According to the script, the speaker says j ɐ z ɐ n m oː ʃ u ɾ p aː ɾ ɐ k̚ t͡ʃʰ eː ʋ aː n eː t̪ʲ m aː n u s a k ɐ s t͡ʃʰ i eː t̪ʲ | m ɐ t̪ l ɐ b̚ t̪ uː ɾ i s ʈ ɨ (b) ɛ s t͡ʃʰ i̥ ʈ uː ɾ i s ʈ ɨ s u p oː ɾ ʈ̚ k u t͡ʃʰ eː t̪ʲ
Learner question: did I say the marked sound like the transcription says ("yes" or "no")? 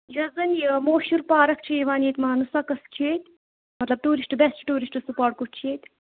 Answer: yes